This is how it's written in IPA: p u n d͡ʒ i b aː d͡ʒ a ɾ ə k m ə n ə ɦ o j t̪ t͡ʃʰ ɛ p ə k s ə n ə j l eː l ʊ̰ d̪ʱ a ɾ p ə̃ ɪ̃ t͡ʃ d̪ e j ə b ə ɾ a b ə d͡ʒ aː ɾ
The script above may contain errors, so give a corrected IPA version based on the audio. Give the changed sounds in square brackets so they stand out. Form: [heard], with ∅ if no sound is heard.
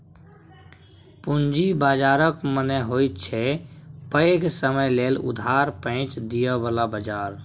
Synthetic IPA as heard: p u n d͡ʒ i b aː d͡ʒ a ɾ ə k m ə n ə ɦ o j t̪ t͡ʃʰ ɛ p ə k s ə [m] ə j l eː l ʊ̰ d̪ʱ a ɾ p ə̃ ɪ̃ t͡ʃ d̪ [i] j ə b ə [l] a b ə d͡ʒ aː ɾ